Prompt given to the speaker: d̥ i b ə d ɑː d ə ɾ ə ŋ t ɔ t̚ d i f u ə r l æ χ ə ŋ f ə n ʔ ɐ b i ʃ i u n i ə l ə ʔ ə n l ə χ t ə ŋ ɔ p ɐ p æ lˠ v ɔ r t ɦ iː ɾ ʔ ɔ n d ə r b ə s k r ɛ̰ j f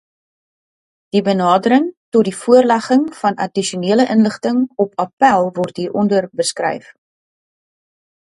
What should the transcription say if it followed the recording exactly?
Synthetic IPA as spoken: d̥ i b ə n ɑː d ə ɾ ə ŋ t ɔ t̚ d i f u ə r l æ χ ə ŋ f ɐ n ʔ ɐ d i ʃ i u n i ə l ə ʔ ə n l ə χ t ə ŋ ɔ p ɐ p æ lˠ v ɔ r t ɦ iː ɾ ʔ ɔ n d ə r b ə s k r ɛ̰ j f